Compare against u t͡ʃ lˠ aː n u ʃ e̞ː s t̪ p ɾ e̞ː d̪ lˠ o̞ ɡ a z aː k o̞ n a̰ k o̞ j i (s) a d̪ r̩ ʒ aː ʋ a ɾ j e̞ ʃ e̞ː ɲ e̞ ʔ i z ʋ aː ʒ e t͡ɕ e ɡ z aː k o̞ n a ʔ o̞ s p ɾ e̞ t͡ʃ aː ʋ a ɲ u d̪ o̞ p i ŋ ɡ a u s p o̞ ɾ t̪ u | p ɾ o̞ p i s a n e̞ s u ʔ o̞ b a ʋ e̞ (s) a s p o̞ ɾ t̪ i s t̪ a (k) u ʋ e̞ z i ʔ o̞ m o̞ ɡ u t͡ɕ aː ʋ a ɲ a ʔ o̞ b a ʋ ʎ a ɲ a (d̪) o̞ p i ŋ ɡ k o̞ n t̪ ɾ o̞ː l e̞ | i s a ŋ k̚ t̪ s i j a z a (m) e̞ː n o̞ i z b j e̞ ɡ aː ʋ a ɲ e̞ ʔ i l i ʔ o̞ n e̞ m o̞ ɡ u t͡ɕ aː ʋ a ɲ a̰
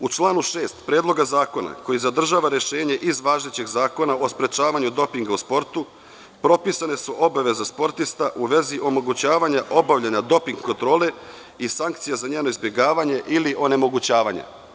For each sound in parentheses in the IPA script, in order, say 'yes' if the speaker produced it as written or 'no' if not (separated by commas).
no, no, no, yes, no